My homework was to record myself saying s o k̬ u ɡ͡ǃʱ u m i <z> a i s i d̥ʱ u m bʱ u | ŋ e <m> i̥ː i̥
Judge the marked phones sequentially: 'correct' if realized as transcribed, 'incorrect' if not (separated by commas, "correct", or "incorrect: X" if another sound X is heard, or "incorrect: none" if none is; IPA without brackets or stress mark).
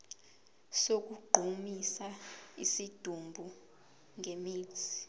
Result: incorrect: s, correct